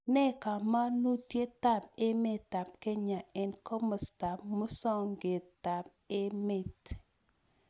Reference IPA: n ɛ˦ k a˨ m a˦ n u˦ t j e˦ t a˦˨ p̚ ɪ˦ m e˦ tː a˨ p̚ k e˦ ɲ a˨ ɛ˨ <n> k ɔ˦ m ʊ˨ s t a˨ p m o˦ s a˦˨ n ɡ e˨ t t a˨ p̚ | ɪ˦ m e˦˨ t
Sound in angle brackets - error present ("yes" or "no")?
no